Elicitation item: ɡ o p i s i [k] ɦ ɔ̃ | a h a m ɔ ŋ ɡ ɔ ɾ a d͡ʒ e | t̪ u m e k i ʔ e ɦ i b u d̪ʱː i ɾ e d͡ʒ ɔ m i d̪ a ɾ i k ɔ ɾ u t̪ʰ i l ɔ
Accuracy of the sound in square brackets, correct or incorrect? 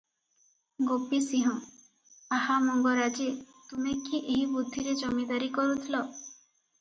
incorrect: none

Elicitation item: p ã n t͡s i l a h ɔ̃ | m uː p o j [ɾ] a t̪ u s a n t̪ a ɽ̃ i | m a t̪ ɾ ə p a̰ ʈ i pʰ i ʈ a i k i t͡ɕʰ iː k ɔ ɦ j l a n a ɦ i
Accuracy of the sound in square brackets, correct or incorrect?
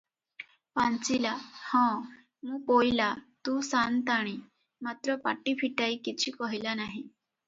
incorrect: l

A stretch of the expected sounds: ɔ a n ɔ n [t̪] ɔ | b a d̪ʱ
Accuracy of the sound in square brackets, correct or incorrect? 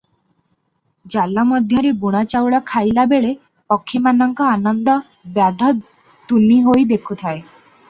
incorrect: d̪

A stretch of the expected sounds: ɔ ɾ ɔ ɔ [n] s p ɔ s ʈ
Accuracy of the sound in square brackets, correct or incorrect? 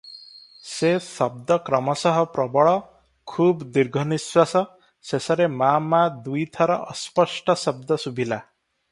incorrect: none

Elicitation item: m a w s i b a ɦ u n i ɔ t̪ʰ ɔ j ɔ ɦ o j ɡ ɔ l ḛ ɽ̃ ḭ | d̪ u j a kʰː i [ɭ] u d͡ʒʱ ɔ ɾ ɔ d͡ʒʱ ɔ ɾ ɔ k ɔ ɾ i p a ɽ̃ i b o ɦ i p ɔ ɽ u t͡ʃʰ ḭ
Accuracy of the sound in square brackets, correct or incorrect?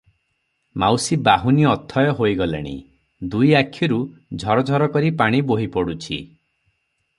incorrect: ɾ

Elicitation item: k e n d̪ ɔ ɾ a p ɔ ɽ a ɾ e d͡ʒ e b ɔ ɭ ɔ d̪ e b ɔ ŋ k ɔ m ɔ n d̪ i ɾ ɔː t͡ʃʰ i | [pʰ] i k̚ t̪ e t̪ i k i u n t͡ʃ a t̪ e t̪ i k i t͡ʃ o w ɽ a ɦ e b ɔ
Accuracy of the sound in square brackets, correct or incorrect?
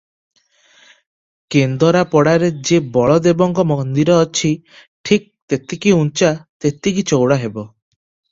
incorrect: ʈʰ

